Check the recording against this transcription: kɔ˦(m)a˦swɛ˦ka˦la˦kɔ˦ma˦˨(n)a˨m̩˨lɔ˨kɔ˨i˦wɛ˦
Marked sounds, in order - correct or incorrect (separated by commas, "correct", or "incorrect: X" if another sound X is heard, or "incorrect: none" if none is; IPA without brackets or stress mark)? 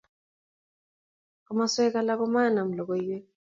correct, correct